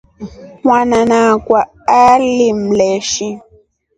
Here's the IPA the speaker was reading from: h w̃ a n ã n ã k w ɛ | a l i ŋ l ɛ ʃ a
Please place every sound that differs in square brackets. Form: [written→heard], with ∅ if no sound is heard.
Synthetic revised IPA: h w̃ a n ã n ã k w [ɛ→a] | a l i [ŋ→m] l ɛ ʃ [a→i]